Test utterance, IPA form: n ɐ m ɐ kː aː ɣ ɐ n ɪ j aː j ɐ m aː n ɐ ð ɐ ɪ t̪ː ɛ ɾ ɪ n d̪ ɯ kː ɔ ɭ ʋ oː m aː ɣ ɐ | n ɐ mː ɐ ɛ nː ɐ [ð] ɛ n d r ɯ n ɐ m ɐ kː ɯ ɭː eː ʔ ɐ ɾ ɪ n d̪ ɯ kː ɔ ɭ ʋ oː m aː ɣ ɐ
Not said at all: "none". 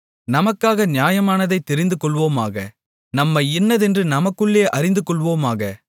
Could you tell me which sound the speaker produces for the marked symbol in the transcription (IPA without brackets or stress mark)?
ð